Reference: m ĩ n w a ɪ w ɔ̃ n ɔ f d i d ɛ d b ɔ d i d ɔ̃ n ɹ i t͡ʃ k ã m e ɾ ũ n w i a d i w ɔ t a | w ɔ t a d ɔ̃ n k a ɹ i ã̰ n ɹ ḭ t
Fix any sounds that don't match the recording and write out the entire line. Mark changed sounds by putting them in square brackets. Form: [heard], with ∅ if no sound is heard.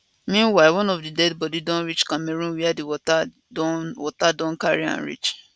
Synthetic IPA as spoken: m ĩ n w a ɪ w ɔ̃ n ɔ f d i d ɛ d b ɔ d i d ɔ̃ n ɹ i t͡ʃ k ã m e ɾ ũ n w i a d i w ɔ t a | w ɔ t a d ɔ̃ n k a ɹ i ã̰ n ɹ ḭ [t͡ʃ]